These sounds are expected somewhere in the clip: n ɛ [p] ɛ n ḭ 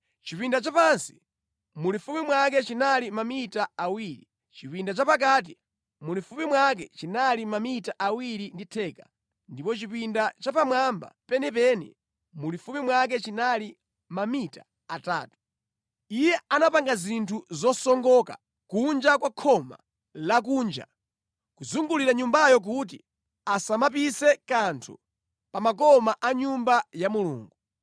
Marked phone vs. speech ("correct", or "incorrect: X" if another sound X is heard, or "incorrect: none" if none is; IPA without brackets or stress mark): correct